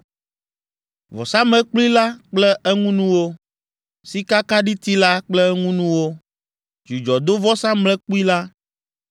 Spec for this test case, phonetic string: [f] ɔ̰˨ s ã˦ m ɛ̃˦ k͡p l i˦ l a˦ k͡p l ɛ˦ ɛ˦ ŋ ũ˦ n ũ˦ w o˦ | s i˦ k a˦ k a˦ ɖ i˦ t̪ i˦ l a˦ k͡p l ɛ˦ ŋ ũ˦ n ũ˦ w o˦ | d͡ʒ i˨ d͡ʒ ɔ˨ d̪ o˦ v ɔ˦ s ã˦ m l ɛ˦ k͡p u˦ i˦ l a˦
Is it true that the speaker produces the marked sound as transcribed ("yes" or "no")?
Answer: no